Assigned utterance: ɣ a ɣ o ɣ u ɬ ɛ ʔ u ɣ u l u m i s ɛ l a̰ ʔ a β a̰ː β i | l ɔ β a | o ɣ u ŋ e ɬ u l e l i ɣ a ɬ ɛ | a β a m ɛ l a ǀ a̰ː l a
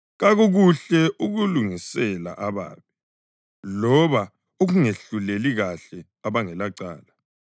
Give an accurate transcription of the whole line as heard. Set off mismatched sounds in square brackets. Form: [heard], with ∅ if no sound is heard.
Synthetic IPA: ɣ a ɣ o ɣ u ɬ ɛ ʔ u ɣ u l u [ŋ] i s ɛ l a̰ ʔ a β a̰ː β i | l ɔ β a | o ɣ u ŋ e ɬ u l e l i ɣ a ɬ ɛ | a β a [ŋ] ɛ l a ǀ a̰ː l a